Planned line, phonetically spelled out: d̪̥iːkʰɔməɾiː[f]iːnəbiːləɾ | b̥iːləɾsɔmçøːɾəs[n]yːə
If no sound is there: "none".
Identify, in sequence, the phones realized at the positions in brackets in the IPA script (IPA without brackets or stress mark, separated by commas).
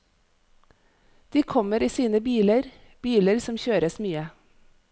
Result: s, m